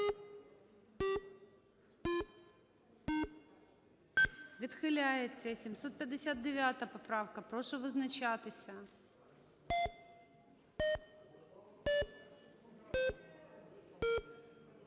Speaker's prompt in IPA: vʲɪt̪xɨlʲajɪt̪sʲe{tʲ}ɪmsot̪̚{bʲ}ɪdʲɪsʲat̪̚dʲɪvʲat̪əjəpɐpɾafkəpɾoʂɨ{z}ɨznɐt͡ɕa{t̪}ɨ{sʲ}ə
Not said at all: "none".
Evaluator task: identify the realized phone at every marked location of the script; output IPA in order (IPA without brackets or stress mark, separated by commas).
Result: sʲ, pʲ, v, t̪, sʲ